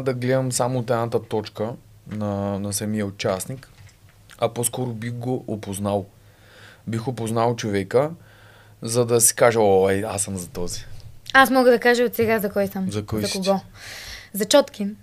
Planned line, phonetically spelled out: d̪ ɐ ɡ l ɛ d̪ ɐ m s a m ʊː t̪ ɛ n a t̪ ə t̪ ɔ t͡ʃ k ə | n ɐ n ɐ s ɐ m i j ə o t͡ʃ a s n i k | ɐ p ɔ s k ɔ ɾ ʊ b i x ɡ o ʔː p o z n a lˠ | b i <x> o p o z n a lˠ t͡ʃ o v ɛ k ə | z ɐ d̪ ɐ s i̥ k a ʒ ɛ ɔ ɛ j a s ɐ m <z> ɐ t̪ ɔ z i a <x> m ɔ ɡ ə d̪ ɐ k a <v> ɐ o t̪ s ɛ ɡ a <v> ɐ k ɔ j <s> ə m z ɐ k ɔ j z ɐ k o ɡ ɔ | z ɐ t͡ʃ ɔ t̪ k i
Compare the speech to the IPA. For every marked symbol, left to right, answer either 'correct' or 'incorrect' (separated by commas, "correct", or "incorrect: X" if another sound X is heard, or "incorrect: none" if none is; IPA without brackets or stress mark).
correct, correct, incorrect: s, incorrect: ʒ, incorrect: z, correct